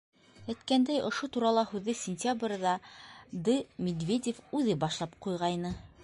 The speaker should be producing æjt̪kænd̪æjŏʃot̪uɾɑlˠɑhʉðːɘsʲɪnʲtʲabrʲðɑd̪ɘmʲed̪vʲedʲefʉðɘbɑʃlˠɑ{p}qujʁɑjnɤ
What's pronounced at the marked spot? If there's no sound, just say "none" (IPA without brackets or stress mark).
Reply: p